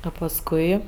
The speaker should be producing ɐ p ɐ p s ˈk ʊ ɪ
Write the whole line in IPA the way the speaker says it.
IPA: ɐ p ɐ s ˈk ʊ ɪ

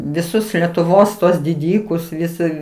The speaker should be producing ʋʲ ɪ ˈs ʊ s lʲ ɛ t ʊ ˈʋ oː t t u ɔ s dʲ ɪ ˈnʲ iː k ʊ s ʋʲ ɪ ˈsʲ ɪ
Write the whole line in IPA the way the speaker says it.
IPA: ʋʲ ɪ ˈs ʊ s lʲ ɛ t ʊ ˈʋ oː s t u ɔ s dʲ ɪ ˈdʲ iː k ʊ s ʋʲ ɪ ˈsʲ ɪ

